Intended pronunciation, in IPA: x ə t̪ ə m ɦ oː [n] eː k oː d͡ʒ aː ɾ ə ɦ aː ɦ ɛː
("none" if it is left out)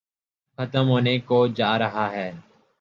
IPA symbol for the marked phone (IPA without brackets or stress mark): n